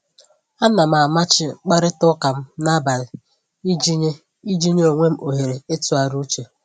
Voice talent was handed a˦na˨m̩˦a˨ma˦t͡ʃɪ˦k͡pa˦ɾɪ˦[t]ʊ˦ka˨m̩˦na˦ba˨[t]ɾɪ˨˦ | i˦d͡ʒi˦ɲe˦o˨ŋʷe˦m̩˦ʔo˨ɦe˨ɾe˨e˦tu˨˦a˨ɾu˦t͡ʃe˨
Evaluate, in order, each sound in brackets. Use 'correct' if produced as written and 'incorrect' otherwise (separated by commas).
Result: correct, incorrect